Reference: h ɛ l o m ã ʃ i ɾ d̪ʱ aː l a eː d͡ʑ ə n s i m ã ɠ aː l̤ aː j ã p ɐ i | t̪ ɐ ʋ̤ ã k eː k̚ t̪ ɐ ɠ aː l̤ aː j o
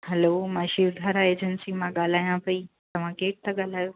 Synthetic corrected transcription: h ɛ l o m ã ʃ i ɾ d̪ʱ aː ɾ a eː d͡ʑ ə n s i m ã ɠ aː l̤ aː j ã p ɐ i | t̪ ɐ ʋ̤ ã k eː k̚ t̪ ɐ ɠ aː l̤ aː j o